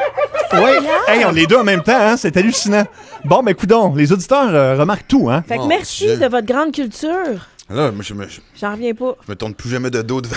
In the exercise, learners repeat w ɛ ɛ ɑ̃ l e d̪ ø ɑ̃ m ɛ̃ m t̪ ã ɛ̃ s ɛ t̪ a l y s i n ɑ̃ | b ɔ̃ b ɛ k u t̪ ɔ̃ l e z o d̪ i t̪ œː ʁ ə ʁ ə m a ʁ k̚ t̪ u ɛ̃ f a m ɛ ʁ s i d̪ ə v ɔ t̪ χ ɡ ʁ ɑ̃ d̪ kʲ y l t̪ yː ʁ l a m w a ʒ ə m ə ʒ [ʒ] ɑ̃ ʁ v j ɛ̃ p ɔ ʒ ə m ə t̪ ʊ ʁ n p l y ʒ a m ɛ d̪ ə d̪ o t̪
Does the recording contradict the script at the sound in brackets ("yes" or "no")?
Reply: no